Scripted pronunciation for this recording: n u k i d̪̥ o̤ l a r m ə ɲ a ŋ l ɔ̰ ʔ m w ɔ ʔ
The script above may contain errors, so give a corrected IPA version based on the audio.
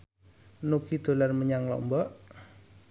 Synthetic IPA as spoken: n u k i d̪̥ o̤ l a r m ə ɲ a ŋ l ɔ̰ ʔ m b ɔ ʔ